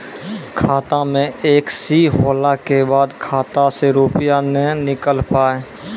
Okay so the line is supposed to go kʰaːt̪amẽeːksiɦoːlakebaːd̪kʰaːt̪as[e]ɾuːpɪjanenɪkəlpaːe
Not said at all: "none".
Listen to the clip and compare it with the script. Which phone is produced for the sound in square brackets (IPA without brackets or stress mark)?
e